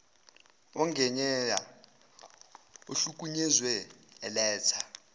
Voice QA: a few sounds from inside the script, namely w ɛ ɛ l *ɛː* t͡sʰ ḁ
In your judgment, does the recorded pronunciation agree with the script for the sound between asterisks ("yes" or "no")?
yes